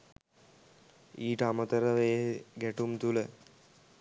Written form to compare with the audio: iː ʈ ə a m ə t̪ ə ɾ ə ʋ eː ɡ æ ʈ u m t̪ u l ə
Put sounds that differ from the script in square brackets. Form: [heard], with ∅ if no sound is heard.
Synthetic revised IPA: iː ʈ ə a m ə t̪ ə ɾ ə ʋ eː ɡ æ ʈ u m t̪ u l ə